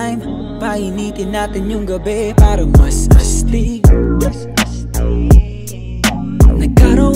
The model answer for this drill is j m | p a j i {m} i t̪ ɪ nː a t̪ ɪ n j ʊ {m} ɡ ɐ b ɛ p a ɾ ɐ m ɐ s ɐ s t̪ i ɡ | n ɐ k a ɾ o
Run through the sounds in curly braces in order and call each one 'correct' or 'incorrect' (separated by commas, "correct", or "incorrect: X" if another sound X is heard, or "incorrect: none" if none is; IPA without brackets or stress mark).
incorrect: n, incorrect: ŋ